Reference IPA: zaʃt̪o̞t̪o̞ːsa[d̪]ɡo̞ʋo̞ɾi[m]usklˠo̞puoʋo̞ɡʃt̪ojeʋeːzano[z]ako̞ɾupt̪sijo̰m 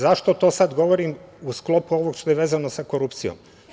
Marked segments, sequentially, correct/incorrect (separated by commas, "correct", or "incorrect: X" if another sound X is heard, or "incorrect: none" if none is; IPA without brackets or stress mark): correct, correct, incorrect: s